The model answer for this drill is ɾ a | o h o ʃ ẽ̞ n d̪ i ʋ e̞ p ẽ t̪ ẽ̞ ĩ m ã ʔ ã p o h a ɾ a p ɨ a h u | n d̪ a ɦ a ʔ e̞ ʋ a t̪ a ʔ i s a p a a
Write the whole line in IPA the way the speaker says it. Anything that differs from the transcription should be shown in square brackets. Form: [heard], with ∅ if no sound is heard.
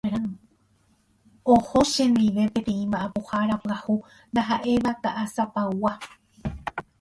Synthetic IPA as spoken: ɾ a | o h o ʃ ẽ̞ n d̪ i ʋ e̞ p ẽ t̪ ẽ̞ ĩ m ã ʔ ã p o h a ɾ a p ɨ a h u | n d̪ a ɦ a ʔ e̞ ʋ a t̪ a ʔ [a] s a p a a